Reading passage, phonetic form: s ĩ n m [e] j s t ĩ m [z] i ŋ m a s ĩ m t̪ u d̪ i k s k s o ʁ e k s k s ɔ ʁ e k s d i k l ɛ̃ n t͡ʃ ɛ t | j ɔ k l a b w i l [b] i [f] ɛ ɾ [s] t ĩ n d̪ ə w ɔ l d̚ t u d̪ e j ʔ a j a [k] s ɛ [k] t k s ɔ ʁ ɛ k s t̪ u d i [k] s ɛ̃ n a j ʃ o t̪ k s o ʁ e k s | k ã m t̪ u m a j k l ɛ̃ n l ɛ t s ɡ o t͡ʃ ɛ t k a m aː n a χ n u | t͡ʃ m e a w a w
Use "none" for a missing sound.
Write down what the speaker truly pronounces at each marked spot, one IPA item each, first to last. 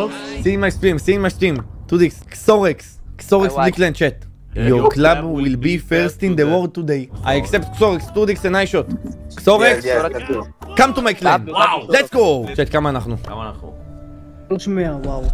a, s, b, f, s, k, p, k

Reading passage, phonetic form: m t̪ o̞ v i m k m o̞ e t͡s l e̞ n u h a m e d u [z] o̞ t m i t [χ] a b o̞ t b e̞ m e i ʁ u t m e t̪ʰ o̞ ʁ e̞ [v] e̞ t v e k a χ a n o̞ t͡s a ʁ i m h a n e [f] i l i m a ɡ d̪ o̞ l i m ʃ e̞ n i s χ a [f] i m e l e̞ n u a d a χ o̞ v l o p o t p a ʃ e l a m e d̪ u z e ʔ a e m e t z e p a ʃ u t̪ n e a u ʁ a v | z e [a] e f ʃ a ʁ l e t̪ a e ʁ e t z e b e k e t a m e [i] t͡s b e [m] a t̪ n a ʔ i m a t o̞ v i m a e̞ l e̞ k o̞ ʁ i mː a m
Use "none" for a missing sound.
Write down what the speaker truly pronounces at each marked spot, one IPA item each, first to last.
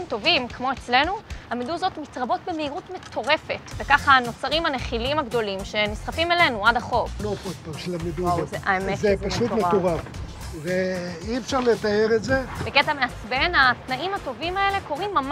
z, ʁ, f, χ, f, i, a, n

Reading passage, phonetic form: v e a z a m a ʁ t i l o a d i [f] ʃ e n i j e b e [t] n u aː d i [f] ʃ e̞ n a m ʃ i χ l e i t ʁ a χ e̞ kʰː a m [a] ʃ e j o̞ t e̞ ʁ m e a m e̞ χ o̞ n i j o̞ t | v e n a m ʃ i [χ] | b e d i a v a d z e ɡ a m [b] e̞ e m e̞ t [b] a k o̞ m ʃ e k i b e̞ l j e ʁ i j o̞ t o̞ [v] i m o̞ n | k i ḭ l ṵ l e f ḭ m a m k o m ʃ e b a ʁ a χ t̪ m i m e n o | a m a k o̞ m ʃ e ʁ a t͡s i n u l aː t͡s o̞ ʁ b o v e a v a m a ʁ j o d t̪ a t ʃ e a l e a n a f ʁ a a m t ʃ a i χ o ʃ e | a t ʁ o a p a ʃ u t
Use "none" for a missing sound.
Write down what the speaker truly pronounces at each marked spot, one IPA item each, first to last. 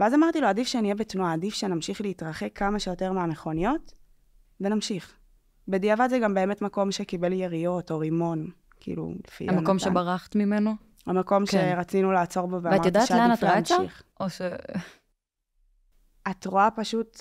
f, t, f, a, χ, b, m, ʁ

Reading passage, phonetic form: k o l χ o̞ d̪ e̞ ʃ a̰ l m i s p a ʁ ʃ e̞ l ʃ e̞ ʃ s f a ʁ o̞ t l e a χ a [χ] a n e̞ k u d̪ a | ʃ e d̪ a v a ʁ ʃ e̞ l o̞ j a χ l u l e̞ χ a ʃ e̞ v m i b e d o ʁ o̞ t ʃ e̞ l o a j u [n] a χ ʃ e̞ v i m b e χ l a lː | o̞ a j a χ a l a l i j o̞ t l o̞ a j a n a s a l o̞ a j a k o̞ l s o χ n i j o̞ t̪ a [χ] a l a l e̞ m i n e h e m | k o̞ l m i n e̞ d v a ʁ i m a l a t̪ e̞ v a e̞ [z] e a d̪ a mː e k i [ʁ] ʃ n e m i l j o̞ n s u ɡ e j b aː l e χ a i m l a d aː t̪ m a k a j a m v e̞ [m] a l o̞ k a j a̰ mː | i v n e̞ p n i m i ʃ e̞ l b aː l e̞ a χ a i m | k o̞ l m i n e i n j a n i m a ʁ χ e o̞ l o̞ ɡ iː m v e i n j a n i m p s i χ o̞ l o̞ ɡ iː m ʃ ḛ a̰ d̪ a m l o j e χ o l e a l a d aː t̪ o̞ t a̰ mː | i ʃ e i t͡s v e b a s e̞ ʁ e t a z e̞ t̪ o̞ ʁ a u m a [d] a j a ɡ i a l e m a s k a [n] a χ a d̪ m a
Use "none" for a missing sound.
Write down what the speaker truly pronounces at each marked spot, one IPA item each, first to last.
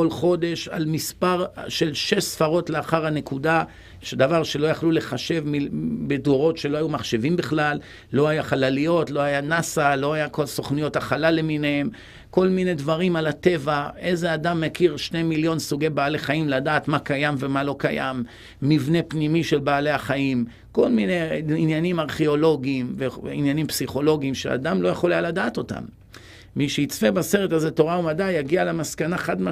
ʁ, m, χ, z, ʁ, m, d, n

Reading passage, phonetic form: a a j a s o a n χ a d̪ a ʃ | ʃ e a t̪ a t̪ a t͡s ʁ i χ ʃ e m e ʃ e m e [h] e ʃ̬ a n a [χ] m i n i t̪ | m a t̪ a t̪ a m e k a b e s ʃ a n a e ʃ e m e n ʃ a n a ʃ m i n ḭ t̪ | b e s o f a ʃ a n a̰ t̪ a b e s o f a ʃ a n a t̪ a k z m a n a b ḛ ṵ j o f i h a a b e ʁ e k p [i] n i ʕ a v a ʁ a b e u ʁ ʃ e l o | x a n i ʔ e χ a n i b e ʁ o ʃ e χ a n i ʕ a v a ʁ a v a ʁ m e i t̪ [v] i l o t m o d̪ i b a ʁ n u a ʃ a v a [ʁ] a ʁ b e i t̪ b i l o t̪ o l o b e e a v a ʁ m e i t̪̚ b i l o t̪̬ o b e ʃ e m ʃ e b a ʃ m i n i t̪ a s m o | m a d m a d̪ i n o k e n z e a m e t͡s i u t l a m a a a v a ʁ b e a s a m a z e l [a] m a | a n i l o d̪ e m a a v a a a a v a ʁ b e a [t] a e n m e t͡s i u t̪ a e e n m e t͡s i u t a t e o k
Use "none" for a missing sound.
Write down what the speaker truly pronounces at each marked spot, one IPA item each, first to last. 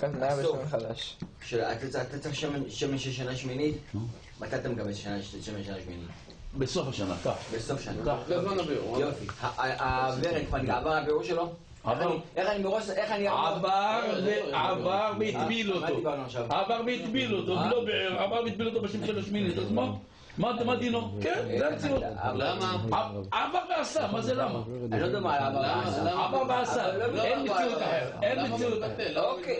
ʃ, ʃ, a, b, v, a, s

